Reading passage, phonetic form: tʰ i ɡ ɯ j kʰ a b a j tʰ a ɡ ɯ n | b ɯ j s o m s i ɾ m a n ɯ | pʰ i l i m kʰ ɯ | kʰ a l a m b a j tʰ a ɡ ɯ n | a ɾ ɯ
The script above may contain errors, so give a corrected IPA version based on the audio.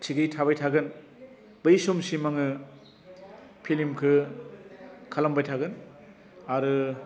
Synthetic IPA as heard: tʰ i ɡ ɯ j tʰ a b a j tʰ a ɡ ɯ n | b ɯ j s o m s i m a ŋ ɯ | pʰ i l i m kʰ ɯ | kʰ a l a m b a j tʰ a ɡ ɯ n | a ɾ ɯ